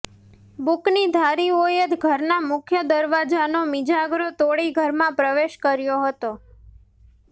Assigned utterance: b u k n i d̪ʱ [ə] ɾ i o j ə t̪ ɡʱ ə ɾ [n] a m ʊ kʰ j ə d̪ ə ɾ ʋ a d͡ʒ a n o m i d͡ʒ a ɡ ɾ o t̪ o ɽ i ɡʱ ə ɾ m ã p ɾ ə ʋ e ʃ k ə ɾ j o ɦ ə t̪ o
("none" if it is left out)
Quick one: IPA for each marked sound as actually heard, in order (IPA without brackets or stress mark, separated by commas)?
a, n